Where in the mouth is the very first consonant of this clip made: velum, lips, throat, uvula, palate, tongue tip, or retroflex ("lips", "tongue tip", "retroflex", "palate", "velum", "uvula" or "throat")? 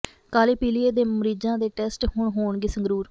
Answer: velum